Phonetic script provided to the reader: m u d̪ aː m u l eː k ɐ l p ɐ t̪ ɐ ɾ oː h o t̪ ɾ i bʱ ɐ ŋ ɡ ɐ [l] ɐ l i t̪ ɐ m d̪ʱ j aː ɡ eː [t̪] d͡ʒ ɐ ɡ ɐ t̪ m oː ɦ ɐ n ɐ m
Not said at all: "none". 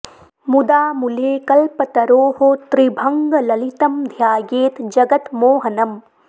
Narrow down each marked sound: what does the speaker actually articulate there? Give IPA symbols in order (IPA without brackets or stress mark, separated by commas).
l, t̪